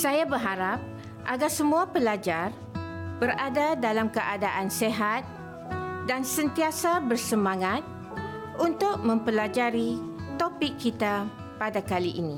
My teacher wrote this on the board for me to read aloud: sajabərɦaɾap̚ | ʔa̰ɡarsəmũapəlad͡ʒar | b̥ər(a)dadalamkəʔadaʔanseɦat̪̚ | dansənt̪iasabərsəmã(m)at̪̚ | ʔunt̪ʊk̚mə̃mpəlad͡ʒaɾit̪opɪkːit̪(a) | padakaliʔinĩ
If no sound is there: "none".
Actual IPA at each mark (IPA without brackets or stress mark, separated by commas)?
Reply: a, ŋ, a